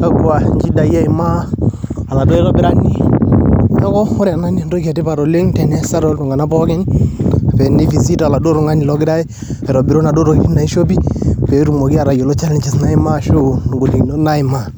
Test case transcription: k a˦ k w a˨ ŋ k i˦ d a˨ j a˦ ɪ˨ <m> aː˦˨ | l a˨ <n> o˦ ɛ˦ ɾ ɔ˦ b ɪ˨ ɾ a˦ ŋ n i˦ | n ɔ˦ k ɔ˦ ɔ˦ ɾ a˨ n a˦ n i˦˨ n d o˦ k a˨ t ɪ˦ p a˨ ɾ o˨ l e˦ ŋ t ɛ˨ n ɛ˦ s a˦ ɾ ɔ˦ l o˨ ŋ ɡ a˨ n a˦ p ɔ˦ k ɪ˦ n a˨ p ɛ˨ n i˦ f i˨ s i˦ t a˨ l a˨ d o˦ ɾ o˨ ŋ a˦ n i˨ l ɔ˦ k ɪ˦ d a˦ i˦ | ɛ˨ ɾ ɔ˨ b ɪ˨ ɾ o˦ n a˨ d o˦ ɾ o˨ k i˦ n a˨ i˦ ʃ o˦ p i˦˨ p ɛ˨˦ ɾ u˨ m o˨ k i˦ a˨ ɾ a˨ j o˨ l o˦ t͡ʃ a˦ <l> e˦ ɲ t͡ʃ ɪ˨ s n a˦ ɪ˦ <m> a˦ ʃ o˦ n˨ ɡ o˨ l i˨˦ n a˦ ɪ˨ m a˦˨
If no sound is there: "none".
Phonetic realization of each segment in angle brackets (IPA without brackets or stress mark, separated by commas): m, d, l, m